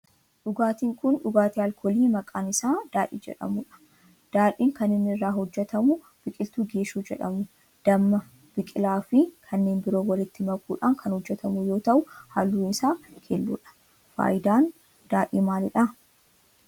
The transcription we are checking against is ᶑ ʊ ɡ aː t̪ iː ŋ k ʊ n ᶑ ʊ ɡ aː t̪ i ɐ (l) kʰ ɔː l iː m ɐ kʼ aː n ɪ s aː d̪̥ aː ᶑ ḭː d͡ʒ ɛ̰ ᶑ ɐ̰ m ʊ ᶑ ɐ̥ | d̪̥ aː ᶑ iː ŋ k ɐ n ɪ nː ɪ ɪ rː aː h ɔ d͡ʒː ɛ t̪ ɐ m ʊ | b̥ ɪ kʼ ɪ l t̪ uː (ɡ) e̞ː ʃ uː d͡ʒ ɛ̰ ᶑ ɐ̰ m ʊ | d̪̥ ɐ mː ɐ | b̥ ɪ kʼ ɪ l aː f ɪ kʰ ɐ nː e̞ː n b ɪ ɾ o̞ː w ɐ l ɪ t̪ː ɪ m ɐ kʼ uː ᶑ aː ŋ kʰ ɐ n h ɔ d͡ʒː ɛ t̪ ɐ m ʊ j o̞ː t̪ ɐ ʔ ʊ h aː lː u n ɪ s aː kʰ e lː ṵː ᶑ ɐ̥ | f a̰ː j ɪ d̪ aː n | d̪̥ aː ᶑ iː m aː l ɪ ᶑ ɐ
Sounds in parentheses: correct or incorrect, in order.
correct, correct

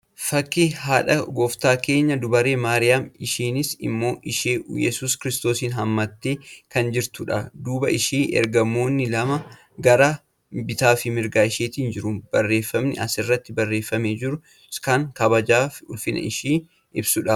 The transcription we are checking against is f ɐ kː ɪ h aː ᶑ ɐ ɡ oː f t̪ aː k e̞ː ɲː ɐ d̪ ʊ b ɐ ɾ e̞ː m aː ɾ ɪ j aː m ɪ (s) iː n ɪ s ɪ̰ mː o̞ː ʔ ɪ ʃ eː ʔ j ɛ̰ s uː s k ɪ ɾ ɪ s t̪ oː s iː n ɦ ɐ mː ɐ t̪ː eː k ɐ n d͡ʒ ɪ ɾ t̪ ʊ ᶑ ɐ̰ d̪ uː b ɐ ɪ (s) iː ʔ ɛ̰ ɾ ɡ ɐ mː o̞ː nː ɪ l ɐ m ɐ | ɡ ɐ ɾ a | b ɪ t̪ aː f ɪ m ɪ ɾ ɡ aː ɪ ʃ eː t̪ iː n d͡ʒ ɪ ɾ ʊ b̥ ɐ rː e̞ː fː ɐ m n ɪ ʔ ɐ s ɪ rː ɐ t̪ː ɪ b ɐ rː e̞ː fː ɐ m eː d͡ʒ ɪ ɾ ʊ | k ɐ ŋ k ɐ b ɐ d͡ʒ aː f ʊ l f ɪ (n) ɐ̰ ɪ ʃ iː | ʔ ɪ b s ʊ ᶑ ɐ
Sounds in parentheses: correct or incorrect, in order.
incorrect, incorrect, correct

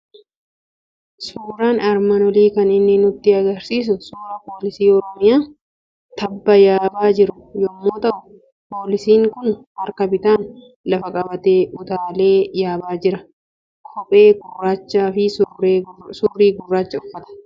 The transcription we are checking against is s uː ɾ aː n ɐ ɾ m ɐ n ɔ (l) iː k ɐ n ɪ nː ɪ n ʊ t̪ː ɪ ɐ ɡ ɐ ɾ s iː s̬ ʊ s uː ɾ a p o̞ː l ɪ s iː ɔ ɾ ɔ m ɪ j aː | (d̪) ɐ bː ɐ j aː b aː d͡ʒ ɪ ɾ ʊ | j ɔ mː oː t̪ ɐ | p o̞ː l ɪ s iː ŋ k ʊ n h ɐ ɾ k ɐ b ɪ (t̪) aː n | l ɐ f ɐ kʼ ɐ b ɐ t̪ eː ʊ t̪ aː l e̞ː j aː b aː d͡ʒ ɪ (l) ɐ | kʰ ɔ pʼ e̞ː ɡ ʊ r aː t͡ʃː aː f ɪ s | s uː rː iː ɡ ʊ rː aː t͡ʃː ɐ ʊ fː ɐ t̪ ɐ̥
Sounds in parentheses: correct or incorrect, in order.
correct, incorrect, correct, incorrect

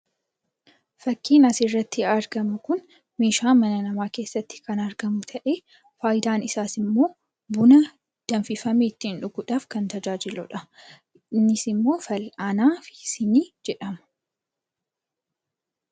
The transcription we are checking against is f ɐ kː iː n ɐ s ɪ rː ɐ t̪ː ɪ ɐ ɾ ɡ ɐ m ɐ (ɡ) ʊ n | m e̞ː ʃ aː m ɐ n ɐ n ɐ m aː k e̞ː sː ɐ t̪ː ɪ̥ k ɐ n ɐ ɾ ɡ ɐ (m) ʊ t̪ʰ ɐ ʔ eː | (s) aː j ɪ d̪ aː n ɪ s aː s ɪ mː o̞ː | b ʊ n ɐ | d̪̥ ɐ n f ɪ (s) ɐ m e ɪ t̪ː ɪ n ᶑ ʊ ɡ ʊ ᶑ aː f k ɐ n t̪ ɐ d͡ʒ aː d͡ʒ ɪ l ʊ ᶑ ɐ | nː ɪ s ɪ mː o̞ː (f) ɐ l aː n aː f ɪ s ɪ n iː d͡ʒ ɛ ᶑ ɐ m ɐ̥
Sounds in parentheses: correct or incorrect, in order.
incorrect, correct, incorrect, incorrect, correct

